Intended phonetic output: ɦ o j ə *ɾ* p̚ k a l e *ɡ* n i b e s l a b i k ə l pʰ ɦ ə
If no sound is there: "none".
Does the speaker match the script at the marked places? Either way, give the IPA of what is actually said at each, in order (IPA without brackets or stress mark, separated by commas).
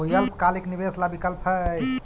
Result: l, k